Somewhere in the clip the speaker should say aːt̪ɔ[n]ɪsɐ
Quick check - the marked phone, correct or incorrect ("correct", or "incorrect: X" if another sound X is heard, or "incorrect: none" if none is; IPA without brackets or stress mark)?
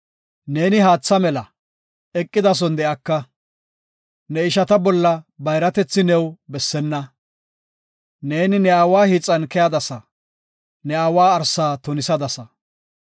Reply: correct